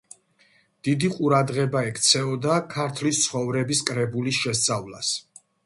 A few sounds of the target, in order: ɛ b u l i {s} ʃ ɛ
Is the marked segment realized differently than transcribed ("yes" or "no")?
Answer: no